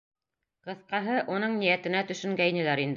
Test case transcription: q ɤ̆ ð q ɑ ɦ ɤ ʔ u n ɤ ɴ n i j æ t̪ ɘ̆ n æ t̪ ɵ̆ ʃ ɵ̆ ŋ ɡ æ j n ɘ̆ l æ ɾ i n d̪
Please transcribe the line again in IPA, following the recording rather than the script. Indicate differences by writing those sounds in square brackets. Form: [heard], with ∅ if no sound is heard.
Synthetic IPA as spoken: q ɤ̆ [θ] q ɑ ɦ ɤ ʔ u n ɤ ɴ n i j æ t̪ ɘ̆ n æ t̪ ɵ̆ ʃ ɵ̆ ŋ ɡ æ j n ɘ̆ l æ ɾ i n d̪